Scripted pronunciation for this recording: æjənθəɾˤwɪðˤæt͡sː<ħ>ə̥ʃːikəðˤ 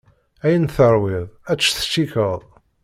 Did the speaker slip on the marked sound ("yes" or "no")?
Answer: yes